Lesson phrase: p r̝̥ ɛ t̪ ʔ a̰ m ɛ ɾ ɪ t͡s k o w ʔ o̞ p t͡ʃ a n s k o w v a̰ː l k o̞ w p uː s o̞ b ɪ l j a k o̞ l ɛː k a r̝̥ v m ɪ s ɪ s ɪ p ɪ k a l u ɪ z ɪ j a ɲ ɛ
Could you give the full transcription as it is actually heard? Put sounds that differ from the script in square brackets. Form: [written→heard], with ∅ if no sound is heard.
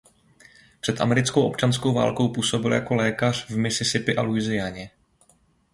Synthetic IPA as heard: p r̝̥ ɛ t̪ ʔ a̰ m ɛ ɾ ɪ t͡s k o w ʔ o̞ p t͡ʃ a n s k o w v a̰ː l k o̞ w p uː s o̞ b ɪ l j a k o̞ l ɛː k a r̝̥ v m ɪ s ɪ s ɪ p ɪ [k→ʔ] a l u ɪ z ɪ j a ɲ ɛ